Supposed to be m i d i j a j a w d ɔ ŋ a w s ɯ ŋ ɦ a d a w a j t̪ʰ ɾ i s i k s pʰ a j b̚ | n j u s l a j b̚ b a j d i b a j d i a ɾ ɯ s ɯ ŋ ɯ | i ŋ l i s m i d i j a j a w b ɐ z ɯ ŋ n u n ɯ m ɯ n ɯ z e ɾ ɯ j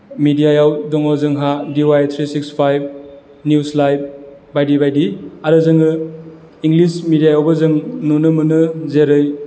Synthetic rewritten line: m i d i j a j a w d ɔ ŋ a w z ɯ ŋ ɦ a d i w a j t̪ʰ ɾ i s i k s pʰ a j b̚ | n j u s l a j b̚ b a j d i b a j d i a ɾ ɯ z ɯ ŋ ɯ | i ŋ l i s m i d i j a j a w b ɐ z ɯ ŋ n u n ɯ m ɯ n ɯ z e ɾ ɯ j